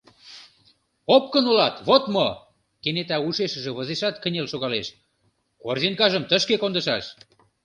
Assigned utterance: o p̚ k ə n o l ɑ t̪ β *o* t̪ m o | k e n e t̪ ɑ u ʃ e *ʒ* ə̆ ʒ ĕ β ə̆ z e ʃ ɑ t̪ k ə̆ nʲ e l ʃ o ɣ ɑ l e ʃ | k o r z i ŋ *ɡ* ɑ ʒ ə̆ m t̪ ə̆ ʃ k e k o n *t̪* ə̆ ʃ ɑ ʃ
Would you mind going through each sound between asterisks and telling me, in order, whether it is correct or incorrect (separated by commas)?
correct, incorrect, incorrect, incorrect